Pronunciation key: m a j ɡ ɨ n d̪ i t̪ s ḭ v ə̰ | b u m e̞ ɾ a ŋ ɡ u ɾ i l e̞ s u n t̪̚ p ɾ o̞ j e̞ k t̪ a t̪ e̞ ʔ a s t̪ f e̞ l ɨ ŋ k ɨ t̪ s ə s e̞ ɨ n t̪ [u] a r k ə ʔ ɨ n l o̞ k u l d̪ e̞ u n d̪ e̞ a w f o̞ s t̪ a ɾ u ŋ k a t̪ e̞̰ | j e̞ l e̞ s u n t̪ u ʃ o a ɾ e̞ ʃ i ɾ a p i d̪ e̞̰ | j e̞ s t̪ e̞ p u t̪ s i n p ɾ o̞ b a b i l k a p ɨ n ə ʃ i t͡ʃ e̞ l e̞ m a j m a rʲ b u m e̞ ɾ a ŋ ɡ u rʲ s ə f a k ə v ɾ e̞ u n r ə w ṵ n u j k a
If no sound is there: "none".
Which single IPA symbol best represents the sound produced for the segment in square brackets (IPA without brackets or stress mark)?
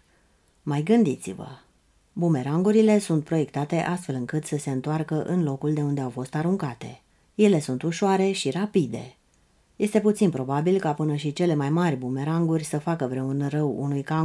o